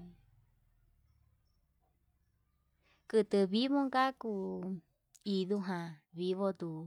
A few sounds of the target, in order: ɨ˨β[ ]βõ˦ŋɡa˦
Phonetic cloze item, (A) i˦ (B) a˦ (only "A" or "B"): A